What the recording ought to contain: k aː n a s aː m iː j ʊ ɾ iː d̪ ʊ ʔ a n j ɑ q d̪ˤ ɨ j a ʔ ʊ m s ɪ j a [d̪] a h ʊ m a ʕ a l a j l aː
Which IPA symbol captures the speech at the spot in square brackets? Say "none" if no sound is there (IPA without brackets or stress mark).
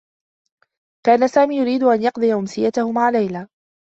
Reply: t̪